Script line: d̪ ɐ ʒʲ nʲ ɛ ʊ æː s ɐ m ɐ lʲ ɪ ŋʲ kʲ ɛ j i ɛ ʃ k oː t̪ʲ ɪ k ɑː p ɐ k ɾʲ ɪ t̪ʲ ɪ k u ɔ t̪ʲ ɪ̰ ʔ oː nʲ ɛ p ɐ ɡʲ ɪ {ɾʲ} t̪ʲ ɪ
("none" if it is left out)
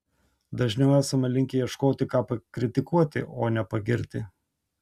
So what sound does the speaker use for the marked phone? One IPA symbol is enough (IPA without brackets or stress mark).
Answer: ɾʲ